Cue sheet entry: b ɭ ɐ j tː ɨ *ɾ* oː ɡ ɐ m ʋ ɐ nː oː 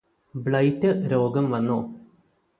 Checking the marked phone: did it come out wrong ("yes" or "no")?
no